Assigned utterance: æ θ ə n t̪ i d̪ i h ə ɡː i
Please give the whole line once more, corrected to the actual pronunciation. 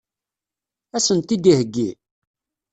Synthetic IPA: æ s ə n t̪ i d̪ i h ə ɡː i

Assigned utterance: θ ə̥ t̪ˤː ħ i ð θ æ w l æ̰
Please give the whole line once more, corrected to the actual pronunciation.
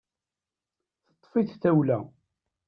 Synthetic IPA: θ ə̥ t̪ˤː f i θ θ æ w l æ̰

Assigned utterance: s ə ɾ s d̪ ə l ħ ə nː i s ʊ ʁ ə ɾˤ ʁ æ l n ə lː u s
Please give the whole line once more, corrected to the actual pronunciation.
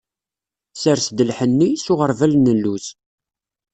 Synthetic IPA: s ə ɾ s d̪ ə l ħ ə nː i s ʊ ʁ ə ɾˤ v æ l n ə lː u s

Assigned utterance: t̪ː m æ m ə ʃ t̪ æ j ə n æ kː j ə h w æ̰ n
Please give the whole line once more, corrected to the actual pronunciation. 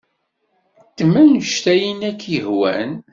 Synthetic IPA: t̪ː m æ n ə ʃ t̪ æ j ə n æ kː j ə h w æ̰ n

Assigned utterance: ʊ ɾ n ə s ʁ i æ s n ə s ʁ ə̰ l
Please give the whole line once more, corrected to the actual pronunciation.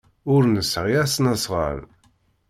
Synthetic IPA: ʊ ɾ n ə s ʁ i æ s n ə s ʁ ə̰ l

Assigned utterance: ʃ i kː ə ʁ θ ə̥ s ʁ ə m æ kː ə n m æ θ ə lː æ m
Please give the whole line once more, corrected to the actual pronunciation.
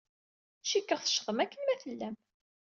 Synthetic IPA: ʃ i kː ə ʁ θ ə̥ ʃ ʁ ə m æ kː ə n m æ θ ə lː æ m

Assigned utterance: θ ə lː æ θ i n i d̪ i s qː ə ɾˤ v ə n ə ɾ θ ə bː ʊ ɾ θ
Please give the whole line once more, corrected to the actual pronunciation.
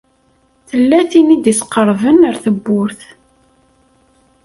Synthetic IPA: θ ə lː æ θ i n i d̪ i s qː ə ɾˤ v ə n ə ɾ θ ə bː ʊ ɾ θ

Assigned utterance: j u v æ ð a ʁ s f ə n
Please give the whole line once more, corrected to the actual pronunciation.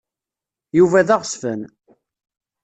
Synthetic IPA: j u v æ ð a ʁ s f ə n

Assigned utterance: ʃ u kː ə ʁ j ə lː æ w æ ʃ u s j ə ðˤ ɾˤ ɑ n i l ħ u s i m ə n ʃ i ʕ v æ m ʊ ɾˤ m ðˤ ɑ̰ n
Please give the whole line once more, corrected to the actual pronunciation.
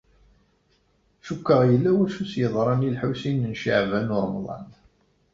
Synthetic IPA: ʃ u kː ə ʁ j ə lː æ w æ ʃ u s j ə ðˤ ɾˤ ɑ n i l ħ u s i n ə n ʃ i ʕ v æ n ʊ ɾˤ m ðˤ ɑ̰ n

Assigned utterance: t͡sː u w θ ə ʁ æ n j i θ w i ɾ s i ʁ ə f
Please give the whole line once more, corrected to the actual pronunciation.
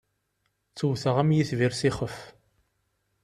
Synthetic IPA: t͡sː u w θ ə ʁ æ m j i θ v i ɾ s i χ ə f

